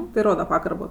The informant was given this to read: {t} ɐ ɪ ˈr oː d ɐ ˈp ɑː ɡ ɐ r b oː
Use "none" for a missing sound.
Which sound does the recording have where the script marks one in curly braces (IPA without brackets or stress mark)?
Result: t